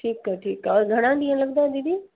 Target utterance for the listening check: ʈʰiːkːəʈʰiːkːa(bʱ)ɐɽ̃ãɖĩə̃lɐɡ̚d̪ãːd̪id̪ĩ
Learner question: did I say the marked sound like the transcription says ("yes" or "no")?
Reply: no